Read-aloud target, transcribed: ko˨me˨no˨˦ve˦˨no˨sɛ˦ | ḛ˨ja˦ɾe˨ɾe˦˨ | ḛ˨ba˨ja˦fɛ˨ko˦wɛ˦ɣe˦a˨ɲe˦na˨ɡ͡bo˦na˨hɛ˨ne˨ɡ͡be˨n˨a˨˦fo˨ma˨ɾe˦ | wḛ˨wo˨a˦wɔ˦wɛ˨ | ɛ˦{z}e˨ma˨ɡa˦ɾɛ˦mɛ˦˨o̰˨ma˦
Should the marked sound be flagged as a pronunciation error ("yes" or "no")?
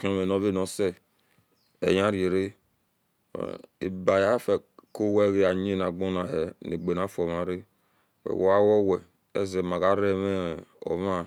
no